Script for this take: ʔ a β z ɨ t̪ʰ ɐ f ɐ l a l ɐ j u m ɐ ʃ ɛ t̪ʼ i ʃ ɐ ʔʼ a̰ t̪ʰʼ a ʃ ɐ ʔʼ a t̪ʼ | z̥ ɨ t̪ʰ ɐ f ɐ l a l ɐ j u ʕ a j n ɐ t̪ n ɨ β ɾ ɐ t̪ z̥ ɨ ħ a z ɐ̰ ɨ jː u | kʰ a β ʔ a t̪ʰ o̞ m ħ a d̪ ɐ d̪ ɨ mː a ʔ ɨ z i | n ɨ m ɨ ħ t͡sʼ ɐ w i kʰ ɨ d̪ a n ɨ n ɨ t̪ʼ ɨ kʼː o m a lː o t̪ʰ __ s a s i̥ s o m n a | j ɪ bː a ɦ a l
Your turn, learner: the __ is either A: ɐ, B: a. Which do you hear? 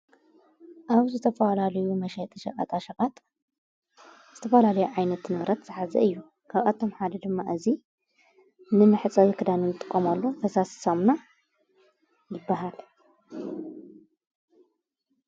A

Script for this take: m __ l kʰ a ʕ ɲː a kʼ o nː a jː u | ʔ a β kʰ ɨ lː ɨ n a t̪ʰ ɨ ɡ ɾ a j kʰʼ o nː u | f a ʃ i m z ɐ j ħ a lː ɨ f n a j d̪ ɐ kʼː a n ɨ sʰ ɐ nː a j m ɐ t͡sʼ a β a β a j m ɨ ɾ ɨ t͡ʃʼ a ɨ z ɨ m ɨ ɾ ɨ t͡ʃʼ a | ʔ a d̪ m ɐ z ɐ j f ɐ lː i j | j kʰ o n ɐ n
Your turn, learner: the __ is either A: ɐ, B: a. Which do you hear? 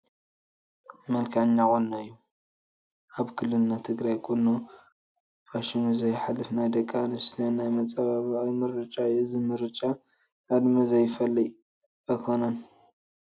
A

